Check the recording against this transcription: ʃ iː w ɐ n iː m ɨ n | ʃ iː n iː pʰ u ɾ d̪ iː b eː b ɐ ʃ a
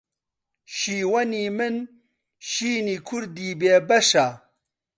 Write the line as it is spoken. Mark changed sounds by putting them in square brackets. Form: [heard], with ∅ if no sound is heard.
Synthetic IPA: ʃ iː w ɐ n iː m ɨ n | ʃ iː n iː [kʰ] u ɾ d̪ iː b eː b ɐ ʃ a